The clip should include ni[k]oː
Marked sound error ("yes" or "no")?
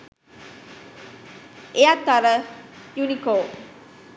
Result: no